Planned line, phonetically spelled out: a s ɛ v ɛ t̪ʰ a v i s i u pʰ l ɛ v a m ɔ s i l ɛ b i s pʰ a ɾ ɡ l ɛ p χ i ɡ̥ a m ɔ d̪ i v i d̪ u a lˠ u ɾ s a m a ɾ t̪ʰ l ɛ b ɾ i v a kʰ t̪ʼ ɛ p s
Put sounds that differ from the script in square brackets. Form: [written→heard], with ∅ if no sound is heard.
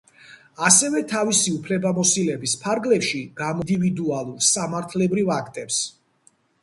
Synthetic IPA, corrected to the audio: a s ɛ v ɛ t̪ʰ a v i s i u pʰ l ɛ [v→b] a m ɔ s i l ɛ b i s pʰ a ɾ ɡ l ɛ p [χ→ʃ] i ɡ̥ a m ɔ d̪ i v i d̪ u a lˠ u ɾ s a m a ɾ t̪ʰ l ɛ b ɾ i v a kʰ t̪ʼ ɛ p s